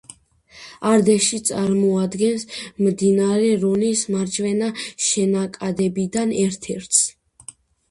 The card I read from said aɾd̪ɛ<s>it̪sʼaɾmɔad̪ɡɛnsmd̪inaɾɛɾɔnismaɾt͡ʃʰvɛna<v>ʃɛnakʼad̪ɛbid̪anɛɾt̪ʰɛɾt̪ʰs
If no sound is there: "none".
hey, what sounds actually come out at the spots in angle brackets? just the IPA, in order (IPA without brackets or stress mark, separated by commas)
ʃ, none